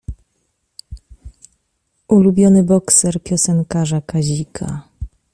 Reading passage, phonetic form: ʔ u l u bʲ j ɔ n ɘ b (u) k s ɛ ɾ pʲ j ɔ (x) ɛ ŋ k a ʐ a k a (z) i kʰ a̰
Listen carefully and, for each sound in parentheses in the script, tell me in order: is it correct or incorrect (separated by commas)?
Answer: incorrect, incorrect, incorrect